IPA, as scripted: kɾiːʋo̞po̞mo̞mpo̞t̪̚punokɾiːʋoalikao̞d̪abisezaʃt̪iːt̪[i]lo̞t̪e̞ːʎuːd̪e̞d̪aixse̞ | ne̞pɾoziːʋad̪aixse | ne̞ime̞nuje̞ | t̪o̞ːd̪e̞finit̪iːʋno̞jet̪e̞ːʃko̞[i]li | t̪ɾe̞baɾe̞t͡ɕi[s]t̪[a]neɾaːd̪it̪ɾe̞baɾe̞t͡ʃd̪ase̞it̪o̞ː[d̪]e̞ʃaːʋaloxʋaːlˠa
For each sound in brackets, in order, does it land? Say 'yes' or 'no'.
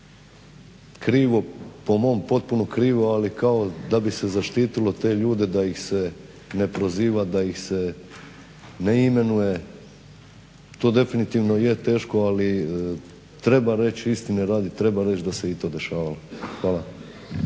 yes, no, yes, no, yes

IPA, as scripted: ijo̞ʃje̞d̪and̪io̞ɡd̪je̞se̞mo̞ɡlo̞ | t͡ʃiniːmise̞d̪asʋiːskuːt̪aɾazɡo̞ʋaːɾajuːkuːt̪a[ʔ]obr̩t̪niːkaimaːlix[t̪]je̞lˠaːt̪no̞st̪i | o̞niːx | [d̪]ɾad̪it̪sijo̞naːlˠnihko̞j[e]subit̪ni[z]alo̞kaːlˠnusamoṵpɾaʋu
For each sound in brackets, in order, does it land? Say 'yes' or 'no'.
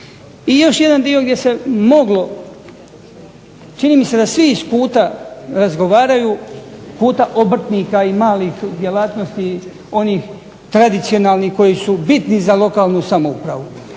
yes, no, no, no, yes

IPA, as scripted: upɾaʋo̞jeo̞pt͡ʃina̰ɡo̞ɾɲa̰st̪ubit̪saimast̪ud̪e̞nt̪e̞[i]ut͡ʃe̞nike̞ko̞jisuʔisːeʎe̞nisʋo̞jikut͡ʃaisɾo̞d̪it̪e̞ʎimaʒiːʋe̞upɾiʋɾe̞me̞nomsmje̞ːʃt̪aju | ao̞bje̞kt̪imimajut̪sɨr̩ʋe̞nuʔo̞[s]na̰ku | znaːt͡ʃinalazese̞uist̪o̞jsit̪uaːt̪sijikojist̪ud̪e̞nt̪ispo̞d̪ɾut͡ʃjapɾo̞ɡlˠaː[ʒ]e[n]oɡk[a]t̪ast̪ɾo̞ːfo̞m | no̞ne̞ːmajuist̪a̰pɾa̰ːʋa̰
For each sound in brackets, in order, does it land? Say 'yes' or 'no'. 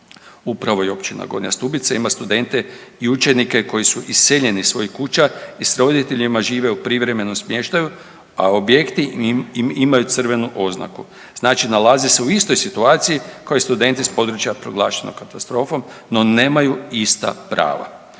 yes, no, no, yes, yes

